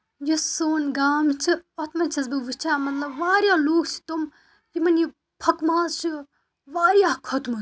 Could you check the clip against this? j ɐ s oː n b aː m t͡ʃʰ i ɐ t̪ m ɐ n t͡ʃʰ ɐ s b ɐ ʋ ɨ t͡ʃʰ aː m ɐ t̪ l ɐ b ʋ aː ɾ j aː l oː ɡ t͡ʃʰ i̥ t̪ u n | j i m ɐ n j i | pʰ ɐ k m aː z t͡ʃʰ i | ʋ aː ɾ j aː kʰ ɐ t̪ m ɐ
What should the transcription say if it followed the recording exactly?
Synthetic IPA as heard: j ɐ s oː n ɡ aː m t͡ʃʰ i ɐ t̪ m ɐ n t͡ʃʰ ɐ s b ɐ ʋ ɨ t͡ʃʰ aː m ɐ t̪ l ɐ b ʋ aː ɾ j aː l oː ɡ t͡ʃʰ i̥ t̪ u m | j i m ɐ n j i | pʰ ɐ k m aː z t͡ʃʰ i | ʋ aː ɾ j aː kʰ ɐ t̪ m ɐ